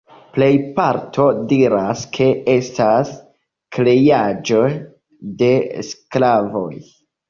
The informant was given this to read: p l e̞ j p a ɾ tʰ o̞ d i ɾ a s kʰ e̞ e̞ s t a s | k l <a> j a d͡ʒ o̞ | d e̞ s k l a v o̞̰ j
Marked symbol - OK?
no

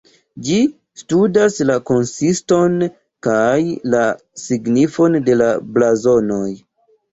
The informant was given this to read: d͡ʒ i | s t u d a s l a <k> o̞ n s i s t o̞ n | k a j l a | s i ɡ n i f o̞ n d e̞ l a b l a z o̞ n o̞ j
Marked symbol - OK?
yes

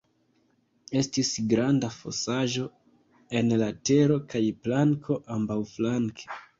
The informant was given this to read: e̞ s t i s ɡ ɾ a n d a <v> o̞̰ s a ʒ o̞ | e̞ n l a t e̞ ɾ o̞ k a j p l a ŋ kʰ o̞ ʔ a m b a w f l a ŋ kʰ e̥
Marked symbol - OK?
no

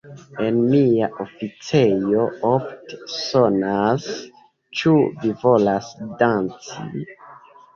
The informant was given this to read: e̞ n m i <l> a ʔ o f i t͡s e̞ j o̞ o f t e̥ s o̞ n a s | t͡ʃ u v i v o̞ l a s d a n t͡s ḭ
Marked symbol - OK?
no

